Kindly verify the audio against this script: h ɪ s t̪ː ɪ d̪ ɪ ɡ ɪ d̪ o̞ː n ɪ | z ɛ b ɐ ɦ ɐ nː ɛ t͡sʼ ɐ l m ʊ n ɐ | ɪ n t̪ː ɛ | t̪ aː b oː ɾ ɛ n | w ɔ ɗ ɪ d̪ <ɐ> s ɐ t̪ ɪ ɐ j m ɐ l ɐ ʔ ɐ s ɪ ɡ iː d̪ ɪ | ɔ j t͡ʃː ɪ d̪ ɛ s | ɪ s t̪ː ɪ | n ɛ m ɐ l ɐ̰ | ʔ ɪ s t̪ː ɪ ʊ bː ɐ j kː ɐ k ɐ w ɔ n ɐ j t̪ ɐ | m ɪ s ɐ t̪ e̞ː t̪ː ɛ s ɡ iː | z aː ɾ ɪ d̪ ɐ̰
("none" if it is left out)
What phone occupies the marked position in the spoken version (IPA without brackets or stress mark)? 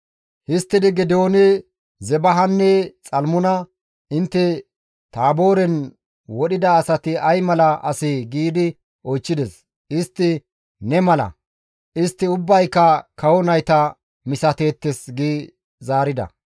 ɐː